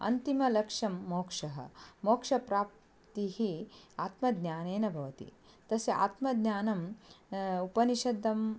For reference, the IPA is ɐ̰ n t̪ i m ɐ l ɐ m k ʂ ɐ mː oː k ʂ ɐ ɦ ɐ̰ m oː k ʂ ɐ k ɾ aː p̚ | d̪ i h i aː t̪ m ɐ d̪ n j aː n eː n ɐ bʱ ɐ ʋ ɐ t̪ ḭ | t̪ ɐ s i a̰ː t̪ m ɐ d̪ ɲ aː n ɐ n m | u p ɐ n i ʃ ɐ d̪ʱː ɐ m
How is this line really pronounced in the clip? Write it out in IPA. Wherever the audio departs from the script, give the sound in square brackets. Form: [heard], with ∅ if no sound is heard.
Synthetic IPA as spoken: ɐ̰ n t̪ i m ɐ l ɐ [∅] k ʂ ɐ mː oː k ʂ ɐ ɦ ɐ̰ m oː k ʂ ɐ [p] ɾ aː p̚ | [t̪] i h i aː t̪ m ɐ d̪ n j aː n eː n ɐ bʱ ɐ ʋ ɐ t̪ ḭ | t̪ ɐ s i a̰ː t̪ m ɐ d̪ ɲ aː n ɐ [∅] m | u p ɐ n i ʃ ɐ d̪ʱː ɐ m